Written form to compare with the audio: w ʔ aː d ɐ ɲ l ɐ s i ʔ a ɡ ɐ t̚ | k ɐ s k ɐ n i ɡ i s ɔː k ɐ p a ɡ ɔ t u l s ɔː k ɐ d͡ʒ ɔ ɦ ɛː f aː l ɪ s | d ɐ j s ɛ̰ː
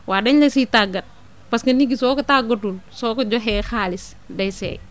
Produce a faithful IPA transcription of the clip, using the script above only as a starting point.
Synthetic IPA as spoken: w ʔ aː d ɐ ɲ l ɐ s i t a ɡ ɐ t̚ | p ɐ s k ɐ n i ɡ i s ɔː k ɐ t a ɡ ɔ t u l s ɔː k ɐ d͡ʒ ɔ ɦ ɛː x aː l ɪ s | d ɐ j s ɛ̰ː